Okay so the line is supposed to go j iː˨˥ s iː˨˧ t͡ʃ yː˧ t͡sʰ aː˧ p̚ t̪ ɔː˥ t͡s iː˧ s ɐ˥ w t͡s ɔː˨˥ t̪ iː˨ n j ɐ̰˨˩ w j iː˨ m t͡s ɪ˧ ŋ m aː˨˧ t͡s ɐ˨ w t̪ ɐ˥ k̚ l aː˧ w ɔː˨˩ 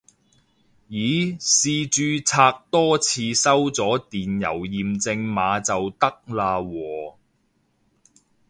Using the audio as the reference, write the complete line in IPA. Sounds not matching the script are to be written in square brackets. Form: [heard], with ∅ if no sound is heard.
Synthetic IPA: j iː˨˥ s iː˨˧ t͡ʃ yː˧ t͡sʰ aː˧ [k̚] t̪ ɔː˥ [t͡sʰ] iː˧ s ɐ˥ w t͡s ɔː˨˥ t̪ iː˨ n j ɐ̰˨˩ w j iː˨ m t͡s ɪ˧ ŋ m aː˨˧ t͡s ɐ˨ w t̪ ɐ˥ k̚ l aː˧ w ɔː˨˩